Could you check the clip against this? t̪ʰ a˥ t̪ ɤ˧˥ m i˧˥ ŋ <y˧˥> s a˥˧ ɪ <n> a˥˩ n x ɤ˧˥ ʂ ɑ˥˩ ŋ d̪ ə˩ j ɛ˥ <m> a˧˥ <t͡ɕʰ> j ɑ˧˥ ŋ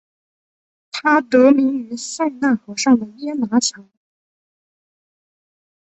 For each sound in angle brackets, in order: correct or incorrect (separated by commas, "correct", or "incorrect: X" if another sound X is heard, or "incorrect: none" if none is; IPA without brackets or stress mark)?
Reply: correct, correct, incorrect: n, correct